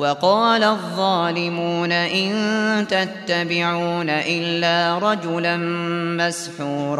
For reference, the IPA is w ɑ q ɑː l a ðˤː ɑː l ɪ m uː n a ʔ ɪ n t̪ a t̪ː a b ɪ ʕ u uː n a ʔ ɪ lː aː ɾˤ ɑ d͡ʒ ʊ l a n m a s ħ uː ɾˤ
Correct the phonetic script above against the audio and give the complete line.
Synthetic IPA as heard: w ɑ q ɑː l a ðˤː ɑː l ɪ m uː n a ʔ ɪ n t̪ a t̪ː a b ɪ ʕ u uː n a ʔ ɪ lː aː ɾˤ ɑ d͡ʒ ʊ l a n m a s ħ uː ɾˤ